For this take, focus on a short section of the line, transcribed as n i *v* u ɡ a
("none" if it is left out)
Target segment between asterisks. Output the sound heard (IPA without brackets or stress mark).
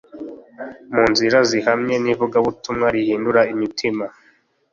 v